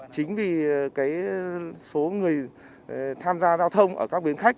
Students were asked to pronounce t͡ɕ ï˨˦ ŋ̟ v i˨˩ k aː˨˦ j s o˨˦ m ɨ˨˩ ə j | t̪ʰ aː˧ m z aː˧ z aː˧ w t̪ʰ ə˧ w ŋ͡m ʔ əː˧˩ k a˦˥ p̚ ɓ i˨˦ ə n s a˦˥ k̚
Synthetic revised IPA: t͡ɕ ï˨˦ ŋ̟ v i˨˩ k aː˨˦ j s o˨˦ ŋ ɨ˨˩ ə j | t̪ʰ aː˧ m z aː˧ z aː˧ w t̪ʰ ə˧ w ŋ͡m ʔ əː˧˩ k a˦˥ k̚ ɓ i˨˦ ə n x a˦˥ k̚